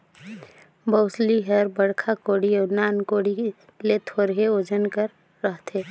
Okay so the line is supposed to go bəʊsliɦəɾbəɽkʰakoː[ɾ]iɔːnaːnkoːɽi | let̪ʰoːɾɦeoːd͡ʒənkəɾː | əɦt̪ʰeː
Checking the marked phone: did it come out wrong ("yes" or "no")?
yes